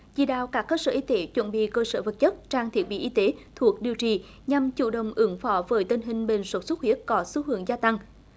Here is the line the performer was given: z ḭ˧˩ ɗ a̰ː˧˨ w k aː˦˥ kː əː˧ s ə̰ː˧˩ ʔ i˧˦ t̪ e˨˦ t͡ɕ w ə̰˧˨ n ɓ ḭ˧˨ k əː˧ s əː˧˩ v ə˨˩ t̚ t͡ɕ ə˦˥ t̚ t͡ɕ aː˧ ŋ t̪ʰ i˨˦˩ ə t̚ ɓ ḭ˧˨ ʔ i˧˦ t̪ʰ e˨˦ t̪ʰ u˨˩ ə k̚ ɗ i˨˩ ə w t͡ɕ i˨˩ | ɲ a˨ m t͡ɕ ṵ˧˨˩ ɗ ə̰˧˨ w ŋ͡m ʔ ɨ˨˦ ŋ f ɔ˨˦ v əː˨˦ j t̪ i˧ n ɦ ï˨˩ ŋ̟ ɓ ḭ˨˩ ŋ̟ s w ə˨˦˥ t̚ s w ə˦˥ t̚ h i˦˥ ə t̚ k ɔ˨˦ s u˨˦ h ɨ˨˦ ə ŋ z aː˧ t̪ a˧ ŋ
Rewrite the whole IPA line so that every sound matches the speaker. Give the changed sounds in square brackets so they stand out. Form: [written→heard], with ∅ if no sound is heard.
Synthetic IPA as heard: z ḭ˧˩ ɗ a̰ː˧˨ w k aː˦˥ kː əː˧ s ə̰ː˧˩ ʔ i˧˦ t̪ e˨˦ t͡ɕ w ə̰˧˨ n ɓ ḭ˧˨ k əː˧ s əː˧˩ v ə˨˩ t̚ t͡ɕ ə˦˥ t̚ t͡ɕ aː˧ ŋ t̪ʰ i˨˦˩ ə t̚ ɓ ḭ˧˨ ʔ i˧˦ [t̪ʰ→t̪] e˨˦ t̪ʰ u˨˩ ə k̚ ɗ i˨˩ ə w t͡ɕ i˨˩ | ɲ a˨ m t͡ɕ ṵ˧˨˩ ɗ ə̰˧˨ w ŋ͡m ʔ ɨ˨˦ ŋ f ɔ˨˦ v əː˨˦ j t̪ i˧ n ɦ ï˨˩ ŋ̟ ɓ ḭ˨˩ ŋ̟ s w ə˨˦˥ t̚ s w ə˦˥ t̚ h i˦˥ ə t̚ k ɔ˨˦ s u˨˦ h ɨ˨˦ ə ŋ z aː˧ t̪ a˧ ŋ

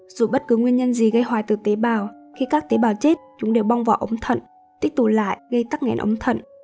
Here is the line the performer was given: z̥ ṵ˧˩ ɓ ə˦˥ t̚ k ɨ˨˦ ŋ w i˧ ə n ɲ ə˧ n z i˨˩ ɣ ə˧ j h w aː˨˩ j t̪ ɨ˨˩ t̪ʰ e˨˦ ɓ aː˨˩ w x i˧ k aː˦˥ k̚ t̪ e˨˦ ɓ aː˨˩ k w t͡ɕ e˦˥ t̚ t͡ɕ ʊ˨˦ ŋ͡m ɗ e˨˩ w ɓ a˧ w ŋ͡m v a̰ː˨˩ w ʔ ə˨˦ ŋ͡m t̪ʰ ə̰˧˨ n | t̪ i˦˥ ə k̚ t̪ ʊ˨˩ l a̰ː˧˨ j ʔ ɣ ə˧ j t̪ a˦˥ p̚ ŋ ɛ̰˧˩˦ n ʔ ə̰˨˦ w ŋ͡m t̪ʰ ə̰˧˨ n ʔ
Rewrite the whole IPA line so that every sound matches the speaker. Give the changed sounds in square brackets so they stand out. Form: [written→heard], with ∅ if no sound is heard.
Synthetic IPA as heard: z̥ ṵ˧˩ ɓ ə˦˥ t̚ k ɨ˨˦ ŋ w i˧ ə n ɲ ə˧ n z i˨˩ ɣ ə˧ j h w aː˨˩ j t̪ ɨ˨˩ [t̪ʰ→t̪] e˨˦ ɓ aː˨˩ w x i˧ k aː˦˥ k̚ t̪ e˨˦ ɓ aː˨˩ [k→∅] w t͡ɕ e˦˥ t̚ t͡ɕ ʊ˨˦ ŋ͡m ɗ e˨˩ w ɓ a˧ w ŋ͡m v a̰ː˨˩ w ʔ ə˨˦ ŋ͡m t̪ʰ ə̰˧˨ n | t̪ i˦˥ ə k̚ t̪ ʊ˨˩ l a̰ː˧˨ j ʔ ɣ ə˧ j t̪ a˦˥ [p̚→k̚] ŋ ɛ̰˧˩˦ n ʔ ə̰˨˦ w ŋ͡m t̪ʰ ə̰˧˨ n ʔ

